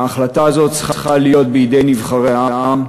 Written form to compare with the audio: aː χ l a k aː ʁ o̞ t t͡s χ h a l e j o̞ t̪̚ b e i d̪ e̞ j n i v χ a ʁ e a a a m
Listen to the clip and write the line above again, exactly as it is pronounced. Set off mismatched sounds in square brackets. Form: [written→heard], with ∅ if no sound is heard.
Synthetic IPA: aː χ l a [k→t] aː [ʁ→z] o̞ t t͡s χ [h→χ] a l [e→i] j o̞ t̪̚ b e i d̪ e̞ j n i v χ a ʁ e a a a m